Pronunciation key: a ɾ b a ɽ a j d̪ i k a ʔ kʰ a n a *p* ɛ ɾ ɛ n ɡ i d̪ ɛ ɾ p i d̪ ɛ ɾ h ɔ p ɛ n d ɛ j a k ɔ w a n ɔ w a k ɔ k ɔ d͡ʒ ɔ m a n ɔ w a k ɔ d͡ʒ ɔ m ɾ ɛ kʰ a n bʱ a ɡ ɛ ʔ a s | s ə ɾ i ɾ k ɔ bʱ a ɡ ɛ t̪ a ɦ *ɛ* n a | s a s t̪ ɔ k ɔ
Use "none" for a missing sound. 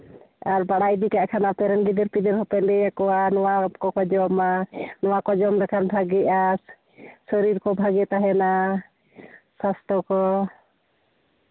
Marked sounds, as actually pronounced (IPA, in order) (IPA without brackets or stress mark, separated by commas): p, ɛ